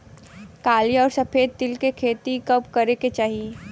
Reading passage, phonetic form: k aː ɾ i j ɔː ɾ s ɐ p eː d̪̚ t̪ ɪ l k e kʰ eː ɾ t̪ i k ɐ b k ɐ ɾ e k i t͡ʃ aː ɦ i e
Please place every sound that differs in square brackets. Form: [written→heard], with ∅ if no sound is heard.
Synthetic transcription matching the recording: k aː [ɾ→l] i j ɔː ɾ s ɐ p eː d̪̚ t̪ ɪ l k e kʰ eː [ɾ→∅] t̪ i k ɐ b k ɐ ɾ e k [i→e] t͡ʃ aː ɦ i e